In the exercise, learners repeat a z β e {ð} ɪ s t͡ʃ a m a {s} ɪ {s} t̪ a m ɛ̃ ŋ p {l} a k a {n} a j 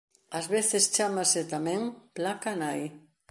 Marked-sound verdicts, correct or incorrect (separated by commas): incorrect, correct, incorrect, correct, correct